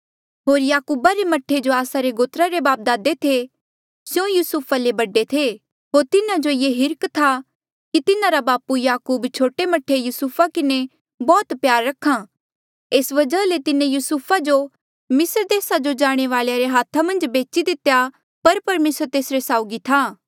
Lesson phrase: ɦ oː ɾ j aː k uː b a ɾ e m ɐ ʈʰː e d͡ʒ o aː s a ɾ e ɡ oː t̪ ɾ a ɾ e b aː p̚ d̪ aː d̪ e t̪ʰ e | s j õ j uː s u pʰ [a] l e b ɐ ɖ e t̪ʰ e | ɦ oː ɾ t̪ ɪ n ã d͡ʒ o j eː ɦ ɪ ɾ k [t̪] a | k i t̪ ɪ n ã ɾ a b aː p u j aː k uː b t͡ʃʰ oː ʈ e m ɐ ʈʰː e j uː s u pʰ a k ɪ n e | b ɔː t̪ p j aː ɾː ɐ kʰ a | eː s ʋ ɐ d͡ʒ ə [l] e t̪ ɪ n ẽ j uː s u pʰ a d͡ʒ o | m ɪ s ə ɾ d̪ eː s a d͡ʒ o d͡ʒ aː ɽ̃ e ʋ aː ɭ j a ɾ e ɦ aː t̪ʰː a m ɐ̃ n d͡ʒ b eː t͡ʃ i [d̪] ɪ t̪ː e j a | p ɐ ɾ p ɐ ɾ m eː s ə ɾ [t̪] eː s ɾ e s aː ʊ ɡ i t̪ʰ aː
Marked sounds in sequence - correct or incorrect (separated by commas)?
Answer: correct, incorrect, correct, correct, correct